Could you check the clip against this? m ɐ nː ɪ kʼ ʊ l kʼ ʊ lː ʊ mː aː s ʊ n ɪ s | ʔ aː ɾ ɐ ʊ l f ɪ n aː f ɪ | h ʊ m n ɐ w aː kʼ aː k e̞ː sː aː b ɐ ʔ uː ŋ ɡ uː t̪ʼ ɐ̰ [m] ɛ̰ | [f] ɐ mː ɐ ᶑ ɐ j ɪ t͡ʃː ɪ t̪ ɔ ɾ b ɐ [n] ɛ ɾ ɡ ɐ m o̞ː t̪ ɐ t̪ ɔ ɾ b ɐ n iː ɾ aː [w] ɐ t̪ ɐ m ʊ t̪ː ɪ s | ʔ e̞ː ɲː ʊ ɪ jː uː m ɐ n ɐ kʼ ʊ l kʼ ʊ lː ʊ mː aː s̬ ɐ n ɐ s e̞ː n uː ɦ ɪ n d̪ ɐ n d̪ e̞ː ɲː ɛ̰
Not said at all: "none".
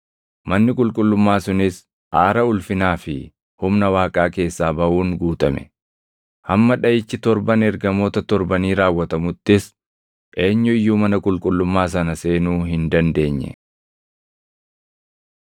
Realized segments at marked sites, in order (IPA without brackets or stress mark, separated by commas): m, h, n, wː